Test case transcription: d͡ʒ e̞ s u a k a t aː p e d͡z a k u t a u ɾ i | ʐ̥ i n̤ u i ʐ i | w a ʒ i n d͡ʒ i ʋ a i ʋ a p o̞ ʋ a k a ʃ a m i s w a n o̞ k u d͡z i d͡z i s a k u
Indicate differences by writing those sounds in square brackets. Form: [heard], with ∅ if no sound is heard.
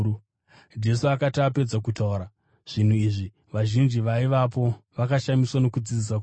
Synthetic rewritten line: d͡ʒ e̞ s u a k a t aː p e d͡z a k u t a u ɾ [a] | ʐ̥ i n̤ u i ʐ i | [ʋ] a ʒ i n d͡ʒ i ʋ a i ʋ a p o̞ ʋ a k a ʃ a m i s w a n o̞ k u d͡z i d͡z i s a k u